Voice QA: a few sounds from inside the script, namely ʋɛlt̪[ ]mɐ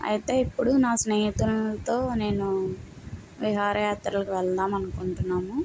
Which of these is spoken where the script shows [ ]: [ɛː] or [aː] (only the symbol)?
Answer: aː